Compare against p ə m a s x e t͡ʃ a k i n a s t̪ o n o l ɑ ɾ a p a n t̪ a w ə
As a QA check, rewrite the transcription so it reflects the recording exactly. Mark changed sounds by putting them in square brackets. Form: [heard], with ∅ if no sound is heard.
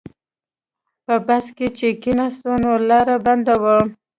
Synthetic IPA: p ə [b] a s [k] e t͡ʃ [e] k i n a s t̪ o n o l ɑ ɾ a [b] a n [d̪] a w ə